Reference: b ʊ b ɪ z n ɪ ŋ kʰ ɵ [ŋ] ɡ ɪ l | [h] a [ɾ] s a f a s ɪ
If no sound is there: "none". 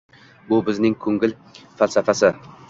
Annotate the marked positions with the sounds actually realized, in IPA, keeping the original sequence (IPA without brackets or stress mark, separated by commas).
ŋ, f, l